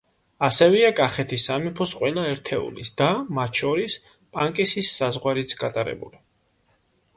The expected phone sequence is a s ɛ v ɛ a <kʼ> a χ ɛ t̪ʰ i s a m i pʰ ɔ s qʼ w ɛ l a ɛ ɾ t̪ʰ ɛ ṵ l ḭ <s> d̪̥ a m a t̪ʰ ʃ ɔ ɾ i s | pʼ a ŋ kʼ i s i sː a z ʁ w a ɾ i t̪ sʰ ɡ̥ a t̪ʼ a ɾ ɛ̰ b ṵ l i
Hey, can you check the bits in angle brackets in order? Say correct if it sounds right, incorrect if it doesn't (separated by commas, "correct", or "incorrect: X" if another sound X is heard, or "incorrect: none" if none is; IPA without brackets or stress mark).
correct, correct